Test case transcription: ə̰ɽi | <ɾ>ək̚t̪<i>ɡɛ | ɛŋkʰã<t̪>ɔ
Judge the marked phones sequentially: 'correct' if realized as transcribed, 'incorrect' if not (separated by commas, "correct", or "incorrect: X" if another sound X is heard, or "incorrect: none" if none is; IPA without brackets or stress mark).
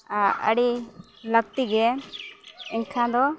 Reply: incorrect: l, correct, incorrect: d̪